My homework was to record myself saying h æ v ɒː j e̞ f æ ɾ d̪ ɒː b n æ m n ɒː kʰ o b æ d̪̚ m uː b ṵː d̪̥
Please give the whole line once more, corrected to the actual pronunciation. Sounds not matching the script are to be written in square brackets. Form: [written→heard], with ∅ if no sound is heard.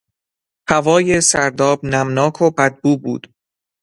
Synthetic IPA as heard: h æ v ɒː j e̞ [f→s] æ ɾ d̪ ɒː b n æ m n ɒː kʰ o b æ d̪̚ [m→b] uː b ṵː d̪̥